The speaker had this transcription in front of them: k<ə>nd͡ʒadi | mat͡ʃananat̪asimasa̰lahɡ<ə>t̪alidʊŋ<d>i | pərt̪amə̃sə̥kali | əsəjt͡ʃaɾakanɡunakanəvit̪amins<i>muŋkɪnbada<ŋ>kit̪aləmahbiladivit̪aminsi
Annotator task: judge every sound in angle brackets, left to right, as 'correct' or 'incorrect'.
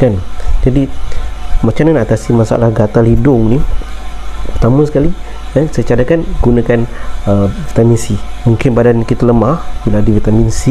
incorrect: a, incorrect: a, incorrect: n, correct, incorrect: n

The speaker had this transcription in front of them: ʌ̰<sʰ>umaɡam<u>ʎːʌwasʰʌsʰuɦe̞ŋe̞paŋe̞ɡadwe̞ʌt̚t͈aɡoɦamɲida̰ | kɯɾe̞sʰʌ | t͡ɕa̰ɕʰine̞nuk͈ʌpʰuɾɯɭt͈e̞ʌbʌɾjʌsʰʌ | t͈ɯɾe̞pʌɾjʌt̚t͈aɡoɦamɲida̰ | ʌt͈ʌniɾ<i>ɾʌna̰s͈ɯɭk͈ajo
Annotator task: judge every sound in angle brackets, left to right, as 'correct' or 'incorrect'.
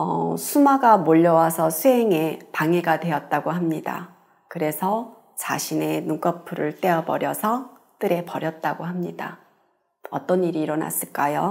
correct, incorrect: o, incorrect: iː

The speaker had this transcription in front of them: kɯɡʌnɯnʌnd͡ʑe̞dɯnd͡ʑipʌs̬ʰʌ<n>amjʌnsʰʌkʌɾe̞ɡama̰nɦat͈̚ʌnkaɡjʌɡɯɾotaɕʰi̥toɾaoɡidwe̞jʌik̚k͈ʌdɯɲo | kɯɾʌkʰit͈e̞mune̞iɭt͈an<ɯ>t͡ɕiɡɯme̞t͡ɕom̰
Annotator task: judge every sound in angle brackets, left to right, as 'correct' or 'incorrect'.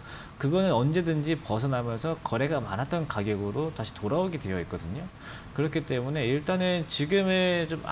correct, correct

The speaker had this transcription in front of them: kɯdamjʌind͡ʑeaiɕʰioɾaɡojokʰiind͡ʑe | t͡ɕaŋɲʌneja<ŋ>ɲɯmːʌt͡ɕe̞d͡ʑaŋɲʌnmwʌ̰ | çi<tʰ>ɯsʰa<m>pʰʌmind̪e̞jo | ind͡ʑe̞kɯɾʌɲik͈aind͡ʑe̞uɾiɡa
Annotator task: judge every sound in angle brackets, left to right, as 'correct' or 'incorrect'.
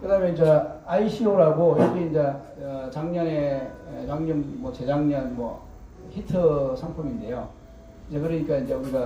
correct, correct, incorrect: ŋ

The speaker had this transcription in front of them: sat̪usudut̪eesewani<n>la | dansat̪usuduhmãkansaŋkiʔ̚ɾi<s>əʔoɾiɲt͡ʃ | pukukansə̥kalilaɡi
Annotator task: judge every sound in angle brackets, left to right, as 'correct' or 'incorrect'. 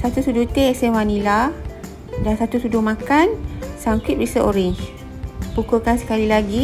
incorrect: none, correct

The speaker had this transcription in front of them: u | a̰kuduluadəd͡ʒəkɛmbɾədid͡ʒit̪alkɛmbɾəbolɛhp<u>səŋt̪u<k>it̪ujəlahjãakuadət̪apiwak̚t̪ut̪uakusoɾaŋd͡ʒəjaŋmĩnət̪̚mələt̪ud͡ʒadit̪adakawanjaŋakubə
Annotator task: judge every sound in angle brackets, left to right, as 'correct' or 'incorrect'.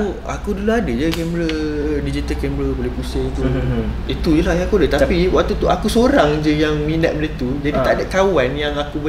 correct, incorrect: none

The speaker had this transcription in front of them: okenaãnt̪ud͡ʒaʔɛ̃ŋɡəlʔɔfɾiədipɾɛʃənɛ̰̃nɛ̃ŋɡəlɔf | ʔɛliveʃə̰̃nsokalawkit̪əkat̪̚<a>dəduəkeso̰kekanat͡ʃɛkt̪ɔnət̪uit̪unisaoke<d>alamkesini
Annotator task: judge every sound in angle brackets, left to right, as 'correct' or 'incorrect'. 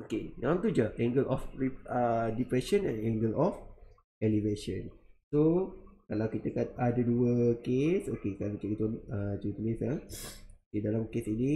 correct, correct

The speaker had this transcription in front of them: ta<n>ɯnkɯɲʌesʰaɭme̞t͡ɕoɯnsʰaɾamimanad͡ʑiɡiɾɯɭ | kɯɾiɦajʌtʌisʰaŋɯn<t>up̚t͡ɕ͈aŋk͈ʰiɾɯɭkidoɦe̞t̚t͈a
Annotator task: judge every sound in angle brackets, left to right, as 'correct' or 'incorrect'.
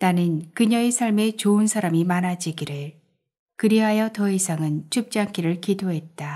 correct, incorrect: t͡ɕʰ

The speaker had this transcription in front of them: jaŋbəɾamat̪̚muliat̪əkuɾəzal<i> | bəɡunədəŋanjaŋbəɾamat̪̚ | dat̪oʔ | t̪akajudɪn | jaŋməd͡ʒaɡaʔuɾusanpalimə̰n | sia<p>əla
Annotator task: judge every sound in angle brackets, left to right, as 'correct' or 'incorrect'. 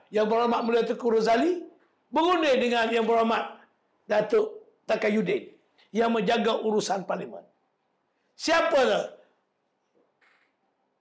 correct, correct

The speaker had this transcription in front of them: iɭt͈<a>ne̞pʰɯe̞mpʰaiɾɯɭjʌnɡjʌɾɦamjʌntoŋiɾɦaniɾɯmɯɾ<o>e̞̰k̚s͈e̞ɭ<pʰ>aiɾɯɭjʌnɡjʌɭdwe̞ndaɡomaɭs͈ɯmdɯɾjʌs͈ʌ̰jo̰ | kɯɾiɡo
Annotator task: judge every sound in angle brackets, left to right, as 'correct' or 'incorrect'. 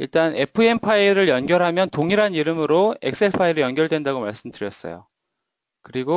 correct, correct, correct

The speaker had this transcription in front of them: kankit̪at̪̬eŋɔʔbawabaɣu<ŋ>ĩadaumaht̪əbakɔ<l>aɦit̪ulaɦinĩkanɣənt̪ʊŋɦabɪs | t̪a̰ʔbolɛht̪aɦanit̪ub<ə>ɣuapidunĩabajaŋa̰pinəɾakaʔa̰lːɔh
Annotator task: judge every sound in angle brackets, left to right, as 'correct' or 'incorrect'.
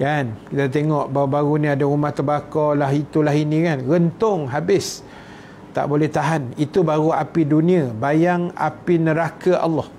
incorrect: n, correct, incorrect: a

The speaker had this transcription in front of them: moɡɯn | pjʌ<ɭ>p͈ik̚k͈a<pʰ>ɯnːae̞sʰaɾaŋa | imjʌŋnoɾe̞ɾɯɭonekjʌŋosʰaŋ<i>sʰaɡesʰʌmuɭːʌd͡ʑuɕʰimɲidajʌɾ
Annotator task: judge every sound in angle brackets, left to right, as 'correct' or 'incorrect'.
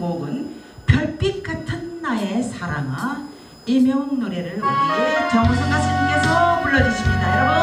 correct, incorrect: tʰ, incorrect: a

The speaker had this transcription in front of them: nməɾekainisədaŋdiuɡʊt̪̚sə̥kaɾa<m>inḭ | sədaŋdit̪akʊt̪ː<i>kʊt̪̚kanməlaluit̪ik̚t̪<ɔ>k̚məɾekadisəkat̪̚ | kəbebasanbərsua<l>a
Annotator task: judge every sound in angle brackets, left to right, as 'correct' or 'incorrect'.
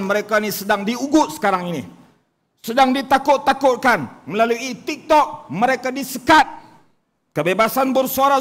incorrect: ŋ, incorrect: a, correct, incorrect: ɾ

